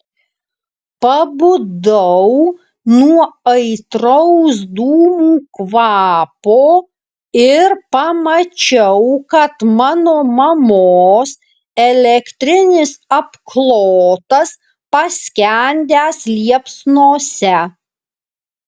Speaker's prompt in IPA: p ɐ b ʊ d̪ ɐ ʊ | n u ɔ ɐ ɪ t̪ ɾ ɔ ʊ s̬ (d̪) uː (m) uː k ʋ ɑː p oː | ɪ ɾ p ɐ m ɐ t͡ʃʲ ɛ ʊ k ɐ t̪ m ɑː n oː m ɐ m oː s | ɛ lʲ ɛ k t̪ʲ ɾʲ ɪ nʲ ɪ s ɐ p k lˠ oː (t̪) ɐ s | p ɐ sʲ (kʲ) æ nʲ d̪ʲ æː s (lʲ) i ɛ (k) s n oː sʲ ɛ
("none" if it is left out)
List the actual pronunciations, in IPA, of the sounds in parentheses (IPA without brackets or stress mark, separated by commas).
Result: d̪, m, t̪, kʲ, lʲ, p